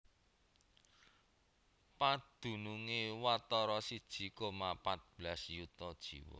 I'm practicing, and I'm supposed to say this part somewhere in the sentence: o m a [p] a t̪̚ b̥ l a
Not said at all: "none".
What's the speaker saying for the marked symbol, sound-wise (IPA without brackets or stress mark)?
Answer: p